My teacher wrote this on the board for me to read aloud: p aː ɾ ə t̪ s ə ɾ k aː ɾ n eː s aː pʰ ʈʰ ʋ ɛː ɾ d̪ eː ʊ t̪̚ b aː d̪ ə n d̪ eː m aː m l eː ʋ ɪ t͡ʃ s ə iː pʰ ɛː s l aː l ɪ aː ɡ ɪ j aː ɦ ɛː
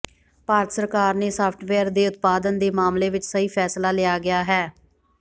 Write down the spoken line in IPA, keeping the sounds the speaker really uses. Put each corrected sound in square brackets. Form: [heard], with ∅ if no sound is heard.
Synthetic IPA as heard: p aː ɾ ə t̪ s ə ɾ k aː ɾ n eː s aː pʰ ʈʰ ʋ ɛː ɾ d̪ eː ʊ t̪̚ [p] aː d̪ ə n d̪ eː m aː m l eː ʋ ɪ t͡ʃ s ə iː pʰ ɛː s l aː l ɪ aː ɡ ɪ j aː ɦ ɛː

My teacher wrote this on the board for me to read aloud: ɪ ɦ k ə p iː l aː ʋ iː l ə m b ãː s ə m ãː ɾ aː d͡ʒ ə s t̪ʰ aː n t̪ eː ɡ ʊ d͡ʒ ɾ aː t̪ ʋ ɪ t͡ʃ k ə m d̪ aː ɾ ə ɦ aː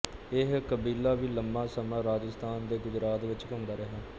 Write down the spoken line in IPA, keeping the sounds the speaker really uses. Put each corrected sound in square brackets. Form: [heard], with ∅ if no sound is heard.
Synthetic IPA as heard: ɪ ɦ k ə [b] iː l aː ʋ iː l ə m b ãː s ə m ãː ɾ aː d͡ʒ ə s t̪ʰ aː n [d̪] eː ɡ ʊ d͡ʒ ɾ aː t̪ ʋ ɪ t͡ʃ k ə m d̪ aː ɾ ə ɦ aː

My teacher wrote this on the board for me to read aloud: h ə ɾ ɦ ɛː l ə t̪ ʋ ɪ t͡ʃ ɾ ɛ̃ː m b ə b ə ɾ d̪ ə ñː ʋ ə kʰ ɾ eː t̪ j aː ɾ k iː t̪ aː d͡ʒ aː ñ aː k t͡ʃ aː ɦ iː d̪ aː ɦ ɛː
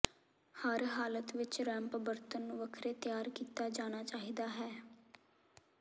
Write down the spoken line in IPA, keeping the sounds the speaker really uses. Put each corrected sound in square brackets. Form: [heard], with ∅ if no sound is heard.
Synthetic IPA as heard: h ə ɾ ɦ [aː] l ə t̪ ʋ ɪ t͡ʃ ɾ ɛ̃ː m [p] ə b ə ɾ [t̪] ə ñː ʋ ə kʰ ɾ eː t̪ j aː ɾ k iː t̪ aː d͡ʒ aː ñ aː [∅] t͡ʃ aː ɦ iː d̪ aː ɦ ɛː

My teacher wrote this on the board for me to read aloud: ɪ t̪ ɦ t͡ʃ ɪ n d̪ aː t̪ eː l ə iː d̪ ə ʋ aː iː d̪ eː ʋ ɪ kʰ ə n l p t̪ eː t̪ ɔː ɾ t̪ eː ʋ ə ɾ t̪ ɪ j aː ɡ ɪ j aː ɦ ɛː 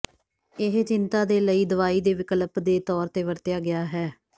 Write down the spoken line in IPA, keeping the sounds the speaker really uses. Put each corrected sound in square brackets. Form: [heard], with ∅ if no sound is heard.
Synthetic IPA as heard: ɪ [∅] ɦ t͡ʃ ɪ n [t̪] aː [d̪] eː l ə iː d̪ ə ʋ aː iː d̪ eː ʋ ɪ [k] ə [∅] l p [d̪] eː t̪ ɔː ɾ t̪ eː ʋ ə ɾ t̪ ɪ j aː ɡ ɪ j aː ɦ ɛː

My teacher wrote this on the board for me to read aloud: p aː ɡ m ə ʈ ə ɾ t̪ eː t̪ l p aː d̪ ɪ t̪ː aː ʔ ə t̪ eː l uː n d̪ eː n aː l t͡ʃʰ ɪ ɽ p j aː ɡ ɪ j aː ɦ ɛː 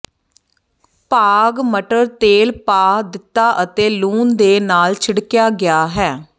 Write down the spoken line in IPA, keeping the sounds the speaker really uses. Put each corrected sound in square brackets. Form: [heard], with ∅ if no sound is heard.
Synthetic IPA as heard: p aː ɡ m ə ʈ ə ɾ t̪ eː [∅] l p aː d̪ ɪ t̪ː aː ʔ ə t̪ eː l uː n d̪ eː n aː l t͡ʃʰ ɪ ɽ [k] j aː ɡ ɪ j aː ɦ ɛː

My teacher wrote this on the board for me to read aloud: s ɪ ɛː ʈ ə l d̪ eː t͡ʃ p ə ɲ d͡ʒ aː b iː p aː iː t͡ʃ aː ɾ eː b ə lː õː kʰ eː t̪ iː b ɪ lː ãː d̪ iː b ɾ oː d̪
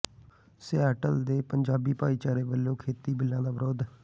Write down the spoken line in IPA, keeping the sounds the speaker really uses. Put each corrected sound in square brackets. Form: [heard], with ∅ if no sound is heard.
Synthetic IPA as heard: s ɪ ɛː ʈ ə l d̪ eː [∅] p ə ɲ d͡ʒ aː b iː p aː iː t͡ʃ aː ɾ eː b ə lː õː kʰ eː t̪ iː b ɪ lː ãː d̪ [aː] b ɾ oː d̪

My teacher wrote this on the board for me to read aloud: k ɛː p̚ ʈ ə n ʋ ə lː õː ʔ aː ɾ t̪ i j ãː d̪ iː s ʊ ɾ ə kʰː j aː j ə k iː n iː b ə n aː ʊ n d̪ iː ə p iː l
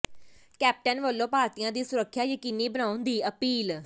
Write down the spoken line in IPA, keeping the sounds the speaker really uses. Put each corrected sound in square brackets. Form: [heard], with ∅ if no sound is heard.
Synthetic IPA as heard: k ɛː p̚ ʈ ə n ʋ ə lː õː [p] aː ɾ t̪ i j ãː d̪ iː s ʊ ɾ ə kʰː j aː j ə k iː n iː b ə n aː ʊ n d̪ iː ə p iː l

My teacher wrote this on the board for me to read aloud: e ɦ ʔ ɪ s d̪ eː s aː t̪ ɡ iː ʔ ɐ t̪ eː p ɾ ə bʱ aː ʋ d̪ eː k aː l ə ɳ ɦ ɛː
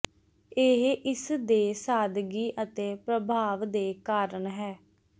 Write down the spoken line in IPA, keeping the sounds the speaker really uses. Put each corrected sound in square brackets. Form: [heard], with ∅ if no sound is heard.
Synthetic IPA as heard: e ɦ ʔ ɪ s d̪ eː s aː [d̪] ɡ iː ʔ [ə] t̪ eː p ɾ ə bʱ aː ʋ d̪ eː k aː [ɾ] ə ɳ ɦ ɛː

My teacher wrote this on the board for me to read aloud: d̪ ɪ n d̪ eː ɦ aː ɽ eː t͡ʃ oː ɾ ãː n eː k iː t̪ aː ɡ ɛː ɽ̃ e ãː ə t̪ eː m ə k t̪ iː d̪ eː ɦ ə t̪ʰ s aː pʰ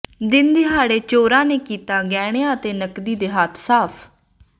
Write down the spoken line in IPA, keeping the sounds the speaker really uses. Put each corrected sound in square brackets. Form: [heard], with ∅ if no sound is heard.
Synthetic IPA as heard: d̪ ɪ n d̪ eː ɦ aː ɽ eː t͡ʃ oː ɾ ãː n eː k iː t̪ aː ɡ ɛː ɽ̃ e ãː ə t̪ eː [n] ə k [d̪] iː d̪ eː ɦ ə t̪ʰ s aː pʰ

